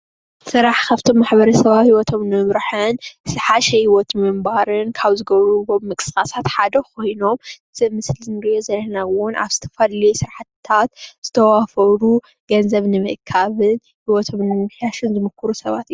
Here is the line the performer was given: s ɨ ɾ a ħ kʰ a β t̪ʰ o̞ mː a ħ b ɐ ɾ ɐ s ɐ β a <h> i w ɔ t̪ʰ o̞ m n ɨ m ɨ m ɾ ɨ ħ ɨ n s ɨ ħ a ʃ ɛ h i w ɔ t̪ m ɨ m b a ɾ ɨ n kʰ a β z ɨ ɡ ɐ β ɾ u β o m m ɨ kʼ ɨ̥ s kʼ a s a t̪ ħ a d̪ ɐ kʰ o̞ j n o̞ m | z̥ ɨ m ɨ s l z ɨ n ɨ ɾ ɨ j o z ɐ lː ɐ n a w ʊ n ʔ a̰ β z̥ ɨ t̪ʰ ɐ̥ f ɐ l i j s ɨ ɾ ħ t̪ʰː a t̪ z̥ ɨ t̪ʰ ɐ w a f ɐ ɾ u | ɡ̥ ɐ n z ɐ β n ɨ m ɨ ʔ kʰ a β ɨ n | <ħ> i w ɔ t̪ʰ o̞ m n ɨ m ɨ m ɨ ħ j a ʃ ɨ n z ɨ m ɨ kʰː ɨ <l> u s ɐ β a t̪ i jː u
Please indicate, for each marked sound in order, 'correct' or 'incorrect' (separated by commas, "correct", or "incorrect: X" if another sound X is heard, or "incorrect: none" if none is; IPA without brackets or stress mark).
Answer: correct, incorrect: h, incorrect: ɾ